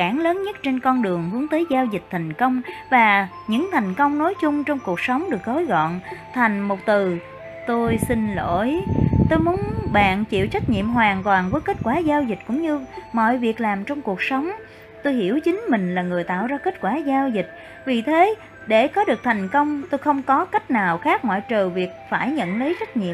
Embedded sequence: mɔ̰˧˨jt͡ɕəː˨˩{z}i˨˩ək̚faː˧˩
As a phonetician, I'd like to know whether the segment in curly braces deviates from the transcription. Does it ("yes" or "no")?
yes